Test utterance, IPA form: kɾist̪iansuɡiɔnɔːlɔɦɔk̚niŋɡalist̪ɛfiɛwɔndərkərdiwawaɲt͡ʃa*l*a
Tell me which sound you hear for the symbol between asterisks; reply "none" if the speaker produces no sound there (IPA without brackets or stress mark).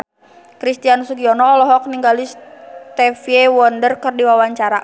ɾ